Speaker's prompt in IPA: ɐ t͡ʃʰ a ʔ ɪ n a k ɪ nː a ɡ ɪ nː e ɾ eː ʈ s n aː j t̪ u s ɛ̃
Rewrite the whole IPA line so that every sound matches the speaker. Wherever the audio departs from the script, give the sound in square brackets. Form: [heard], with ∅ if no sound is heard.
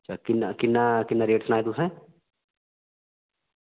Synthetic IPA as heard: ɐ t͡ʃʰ a [k] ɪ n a k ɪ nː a [k] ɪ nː [a] ɾ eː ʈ s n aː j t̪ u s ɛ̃

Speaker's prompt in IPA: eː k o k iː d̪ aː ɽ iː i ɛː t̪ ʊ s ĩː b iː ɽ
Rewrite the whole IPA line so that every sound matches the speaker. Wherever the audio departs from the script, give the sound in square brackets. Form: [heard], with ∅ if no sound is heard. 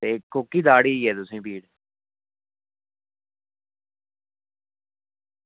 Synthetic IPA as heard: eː k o k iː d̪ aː ɽ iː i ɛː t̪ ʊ s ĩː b iː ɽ

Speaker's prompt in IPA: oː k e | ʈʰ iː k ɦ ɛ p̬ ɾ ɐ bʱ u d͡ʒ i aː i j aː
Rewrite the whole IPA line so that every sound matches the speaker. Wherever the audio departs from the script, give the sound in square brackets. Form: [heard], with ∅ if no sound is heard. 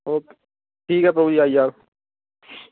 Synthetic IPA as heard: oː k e | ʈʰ iː k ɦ ɛ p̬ ɾ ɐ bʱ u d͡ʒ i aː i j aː

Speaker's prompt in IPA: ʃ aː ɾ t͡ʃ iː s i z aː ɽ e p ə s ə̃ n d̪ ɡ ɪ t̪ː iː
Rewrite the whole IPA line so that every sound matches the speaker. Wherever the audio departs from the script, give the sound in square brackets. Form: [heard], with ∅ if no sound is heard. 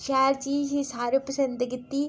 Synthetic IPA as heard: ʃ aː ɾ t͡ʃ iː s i [s] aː [ɾ] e p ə s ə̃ n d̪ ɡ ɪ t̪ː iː

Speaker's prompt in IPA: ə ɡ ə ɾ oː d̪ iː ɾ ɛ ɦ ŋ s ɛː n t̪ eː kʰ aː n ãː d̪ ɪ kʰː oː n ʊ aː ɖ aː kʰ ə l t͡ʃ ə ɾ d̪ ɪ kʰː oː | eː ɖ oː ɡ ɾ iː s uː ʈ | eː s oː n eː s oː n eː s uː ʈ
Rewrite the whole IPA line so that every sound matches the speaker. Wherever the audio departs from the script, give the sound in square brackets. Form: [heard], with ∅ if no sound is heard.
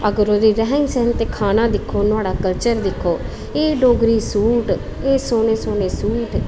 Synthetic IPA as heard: ə ɡ ə ɾ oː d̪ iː ɾ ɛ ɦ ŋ s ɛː n t̪ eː kʰ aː n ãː d̪ ɪ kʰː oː n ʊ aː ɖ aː [k] ə l t͡ʃ ə ɾ d̪ ɪ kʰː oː | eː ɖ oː ɡ ɾ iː s uː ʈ | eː s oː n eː s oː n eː s uː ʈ

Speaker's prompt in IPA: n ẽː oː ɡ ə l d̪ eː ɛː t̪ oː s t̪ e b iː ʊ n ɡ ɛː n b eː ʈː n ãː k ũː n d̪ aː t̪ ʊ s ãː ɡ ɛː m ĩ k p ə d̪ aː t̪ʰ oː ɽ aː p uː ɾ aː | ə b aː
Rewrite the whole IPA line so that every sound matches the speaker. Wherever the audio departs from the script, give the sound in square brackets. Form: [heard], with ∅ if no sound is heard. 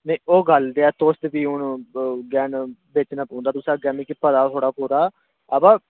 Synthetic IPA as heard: n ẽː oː ɡ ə l d̪ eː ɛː t̪ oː s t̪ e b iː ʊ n ɡ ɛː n b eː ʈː n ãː [p] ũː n d̪ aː t̪ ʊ s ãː ɡ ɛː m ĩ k p ə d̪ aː t̪ʰ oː ɽ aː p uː ɾ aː | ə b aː

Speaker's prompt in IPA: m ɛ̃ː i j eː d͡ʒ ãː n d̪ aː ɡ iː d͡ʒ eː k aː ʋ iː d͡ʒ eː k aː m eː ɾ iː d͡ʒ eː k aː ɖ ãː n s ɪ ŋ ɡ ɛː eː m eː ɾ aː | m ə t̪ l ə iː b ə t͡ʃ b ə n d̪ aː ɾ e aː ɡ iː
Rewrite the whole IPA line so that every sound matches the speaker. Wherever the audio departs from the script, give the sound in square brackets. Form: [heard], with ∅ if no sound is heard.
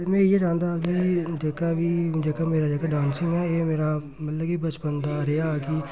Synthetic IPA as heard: m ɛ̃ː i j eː d͡ʒ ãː n d̪ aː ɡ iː d͡ʒ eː k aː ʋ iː d͡ʒ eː k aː m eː ɾ [aː] d͡ʒ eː k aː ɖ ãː n s ɪ ŋ ɡ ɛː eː m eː ɾ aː | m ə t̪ l ə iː b ə t͡ʃ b ə n d̪ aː ɾ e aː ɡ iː

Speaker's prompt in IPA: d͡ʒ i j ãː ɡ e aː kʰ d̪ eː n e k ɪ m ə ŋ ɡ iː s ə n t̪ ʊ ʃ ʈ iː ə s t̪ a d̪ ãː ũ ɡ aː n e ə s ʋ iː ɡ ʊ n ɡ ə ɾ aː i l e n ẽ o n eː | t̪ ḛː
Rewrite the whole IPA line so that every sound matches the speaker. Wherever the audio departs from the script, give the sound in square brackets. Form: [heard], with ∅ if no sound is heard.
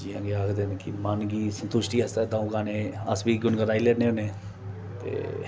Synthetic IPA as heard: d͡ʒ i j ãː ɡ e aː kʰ d̪ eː n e k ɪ m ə [n] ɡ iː s ə n t̪ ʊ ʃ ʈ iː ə s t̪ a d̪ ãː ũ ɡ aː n e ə s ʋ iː ɡ ʊ n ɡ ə ɾ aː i l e n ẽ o n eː | t̪ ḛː

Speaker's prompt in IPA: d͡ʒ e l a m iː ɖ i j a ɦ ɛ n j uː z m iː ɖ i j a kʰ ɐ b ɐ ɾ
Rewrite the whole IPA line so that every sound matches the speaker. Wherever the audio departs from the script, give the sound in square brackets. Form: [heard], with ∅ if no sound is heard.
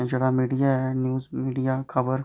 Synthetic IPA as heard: d͡ʒ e [ɽ] a m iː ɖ i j a ɦ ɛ n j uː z m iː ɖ i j a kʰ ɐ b [ə] ɾ

